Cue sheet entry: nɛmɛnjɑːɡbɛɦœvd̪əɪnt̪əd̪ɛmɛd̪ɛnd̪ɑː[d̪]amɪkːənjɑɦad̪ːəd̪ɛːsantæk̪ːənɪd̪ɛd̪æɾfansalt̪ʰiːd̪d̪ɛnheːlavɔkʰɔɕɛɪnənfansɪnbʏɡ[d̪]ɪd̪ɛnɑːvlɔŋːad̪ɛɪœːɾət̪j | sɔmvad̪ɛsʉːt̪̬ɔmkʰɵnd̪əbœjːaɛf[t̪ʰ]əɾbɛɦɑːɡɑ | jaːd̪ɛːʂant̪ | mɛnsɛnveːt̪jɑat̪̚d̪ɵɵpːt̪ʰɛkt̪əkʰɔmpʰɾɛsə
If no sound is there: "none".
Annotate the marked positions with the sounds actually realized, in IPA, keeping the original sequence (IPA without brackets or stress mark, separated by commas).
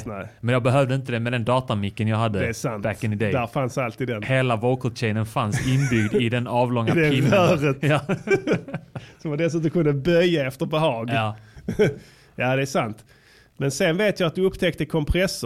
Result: t̪, d̪, t̪